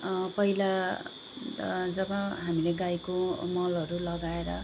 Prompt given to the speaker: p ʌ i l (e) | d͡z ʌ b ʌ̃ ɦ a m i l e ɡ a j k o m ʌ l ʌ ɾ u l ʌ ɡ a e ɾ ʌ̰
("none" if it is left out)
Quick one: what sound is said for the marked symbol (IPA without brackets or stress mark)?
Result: a